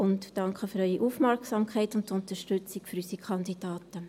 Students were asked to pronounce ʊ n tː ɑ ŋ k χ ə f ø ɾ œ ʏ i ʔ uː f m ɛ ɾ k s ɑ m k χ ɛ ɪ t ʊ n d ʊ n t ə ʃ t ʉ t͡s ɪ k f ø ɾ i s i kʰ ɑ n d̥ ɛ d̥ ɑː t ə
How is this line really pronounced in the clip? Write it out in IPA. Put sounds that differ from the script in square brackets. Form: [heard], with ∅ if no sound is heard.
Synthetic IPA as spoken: ʊ n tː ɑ ŋ k χ ə f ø ɾ œ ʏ i ʔ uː f m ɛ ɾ k s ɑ m k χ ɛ ɪ t ʊ n [t] ʊ n t ə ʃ t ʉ t͡s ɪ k f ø ɾ [y] s i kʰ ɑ n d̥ [i] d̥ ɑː t ə